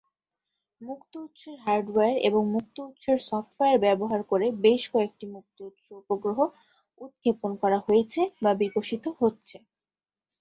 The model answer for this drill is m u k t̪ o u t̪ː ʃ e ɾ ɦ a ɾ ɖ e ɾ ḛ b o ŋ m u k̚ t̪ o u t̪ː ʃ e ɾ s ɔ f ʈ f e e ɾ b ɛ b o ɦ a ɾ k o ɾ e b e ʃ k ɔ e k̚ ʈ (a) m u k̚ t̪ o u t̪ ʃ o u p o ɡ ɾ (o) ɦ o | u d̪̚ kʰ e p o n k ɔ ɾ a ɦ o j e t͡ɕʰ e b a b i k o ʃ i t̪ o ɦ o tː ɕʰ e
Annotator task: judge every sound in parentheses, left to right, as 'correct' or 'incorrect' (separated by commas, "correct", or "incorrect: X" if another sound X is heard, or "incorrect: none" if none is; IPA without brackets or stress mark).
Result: incorrect: i, correct